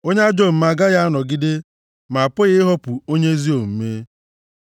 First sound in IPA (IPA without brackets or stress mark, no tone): o